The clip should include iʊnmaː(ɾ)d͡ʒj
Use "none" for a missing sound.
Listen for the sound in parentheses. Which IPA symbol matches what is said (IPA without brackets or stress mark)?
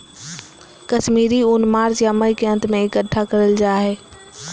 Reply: ɾ